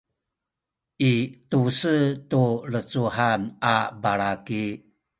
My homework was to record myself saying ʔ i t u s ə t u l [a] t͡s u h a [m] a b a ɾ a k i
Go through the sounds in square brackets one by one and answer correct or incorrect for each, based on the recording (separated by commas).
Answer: incorrect, incorrect